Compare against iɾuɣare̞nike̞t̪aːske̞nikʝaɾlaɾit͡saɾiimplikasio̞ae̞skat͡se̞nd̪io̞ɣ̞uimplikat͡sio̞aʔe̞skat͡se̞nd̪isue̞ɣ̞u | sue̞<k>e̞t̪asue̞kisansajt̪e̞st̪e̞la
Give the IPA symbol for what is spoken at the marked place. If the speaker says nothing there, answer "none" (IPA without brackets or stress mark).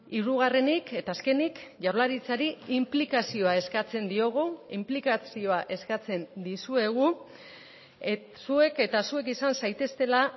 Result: k